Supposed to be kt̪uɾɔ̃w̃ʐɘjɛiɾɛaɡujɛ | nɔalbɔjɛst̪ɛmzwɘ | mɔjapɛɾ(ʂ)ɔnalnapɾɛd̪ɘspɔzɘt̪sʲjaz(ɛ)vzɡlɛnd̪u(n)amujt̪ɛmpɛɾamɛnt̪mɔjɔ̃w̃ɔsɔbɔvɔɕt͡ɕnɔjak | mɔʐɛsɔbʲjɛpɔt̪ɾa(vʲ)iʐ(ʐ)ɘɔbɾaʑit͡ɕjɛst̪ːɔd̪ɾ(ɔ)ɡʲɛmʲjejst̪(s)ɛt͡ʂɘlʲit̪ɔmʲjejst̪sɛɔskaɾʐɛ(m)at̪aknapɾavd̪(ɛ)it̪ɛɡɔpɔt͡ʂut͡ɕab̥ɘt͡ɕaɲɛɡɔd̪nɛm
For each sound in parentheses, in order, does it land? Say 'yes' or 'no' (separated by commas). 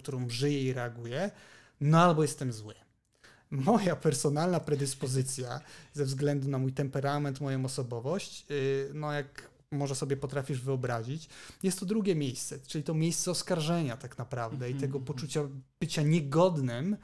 no, yes, yes, no, no, no, yes, no, yes